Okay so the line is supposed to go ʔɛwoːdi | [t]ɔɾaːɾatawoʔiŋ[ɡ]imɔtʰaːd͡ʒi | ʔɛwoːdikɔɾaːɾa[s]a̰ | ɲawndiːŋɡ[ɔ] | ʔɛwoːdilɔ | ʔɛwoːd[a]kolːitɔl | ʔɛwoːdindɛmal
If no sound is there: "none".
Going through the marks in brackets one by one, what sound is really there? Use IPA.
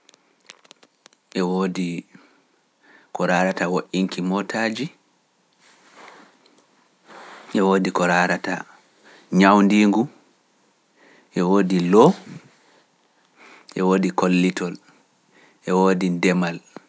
k, k, t, u, i

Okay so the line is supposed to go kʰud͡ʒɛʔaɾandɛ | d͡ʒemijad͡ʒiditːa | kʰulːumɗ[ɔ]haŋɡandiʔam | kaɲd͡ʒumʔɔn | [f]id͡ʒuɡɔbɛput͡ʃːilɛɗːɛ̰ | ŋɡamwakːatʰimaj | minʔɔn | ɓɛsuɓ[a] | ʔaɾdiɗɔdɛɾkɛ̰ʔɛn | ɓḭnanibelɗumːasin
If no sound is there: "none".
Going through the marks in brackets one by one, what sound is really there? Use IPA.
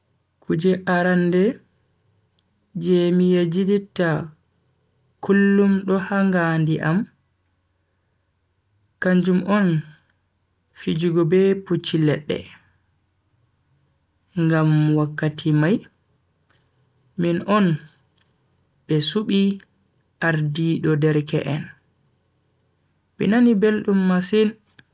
ɔ, f, i

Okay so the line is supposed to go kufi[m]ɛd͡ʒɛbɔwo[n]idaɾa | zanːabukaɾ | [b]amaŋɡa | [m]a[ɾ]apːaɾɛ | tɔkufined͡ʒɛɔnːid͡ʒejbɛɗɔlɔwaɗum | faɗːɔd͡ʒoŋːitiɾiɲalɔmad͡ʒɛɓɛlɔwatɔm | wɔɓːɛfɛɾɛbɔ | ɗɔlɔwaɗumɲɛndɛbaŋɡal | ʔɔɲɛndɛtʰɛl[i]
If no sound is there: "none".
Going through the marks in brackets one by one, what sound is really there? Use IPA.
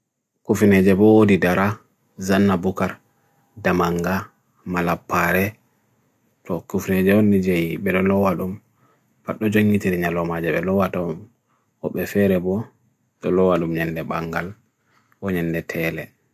n, d, d, m, l, ɛ

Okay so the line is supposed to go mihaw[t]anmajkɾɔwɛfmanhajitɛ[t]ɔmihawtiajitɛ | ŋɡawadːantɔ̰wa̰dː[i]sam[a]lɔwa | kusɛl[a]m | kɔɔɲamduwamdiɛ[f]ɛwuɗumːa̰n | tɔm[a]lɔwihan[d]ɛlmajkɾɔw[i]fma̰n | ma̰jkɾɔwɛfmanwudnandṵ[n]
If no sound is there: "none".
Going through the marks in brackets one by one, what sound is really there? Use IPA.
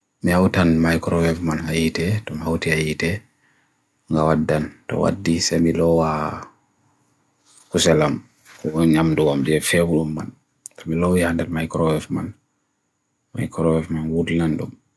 t, t, i, i, a, f, i, d, ɛ, m

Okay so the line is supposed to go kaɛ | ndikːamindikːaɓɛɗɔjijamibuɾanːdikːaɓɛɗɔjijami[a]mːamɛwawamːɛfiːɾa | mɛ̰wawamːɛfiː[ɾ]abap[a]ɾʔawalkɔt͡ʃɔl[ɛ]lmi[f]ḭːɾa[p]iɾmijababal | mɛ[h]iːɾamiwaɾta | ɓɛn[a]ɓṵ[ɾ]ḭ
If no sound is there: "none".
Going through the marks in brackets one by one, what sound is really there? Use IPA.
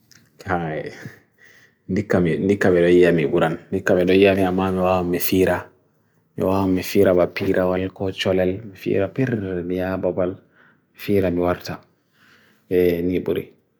a, ɾ, i, ɛ, f, p, f, i, ɾ

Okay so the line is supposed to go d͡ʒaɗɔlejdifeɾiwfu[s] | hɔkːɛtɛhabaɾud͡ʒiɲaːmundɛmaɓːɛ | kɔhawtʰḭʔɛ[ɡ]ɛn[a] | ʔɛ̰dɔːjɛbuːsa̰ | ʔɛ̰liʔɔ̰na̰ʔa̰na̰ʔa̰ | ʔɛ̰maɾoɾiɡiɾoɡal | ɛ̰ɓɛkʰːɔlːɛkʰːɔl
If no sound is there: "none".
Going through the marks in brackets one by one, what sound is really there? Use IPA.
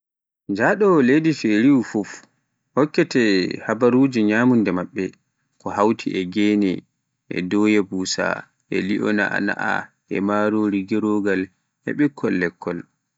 f, ɡ, ɛ

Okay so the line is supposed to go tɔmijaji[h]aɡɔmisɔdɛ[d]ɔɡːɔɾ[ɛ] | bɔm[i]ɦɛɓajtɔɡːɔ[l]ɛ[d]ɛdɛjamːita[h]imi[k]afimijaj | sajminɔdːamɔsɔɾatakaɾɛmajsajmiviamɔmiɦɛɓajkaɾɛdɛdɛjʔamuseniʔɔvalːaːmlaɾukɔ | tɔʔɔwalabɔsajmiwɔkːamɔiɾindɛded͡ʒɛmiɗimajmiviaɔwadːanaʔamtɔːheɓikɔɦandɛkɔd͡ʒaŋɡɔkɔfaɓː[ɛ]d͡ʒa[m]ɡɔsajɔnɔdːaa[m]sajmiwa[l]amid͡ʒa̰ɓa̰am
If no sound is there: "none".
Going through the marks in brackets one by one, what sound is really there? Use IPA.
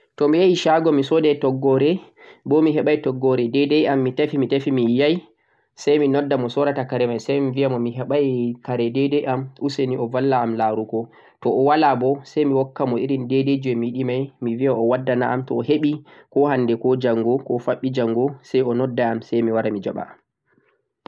ʃ, t, ɛ, i, ɾ, d, f, t, i, ŋ, m, ɾ

